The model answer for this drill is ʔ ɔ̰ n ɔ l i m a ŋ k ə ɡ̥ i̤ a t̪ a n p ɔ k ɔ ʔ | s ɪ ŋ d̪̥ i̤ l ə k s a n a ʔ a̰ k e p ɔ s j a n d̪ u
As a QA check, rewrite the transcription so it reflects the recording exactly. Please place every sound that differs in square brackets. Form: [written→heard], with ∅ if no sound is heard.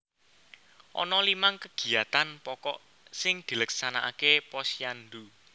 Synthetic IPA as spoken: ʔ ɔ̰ n ɔ l i m a ŋ k ə ɡ̥ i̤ a t̪ a n p ɔ k ɔ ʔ | s ɪ ŋ d̪̥ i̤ l ə k s a n a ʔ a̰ k e p ɔ s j a n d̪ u